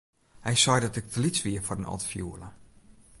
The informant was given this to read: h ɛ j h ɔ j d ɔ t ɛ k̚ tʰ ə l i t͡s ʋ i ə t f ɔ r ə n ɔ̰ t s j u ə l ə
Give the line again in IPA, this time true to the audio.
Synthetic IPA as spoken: h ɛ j s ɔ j d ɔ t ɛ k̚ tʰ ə l i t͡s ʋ i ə f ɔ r ə n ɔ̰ t f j u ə l ə